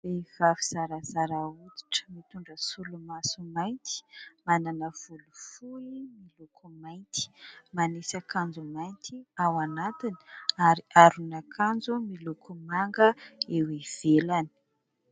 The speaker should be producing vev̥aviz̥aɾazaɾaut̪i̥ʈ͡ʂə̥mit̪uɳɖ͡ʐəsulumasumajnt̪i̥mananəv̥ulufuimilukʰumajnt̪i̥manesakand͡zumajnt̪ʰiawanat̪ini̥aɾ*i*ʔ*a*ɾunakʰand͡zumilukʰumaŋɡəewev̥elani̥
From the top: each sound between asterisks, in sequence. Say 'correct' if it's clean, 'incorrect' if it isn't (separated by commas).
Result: correct, correct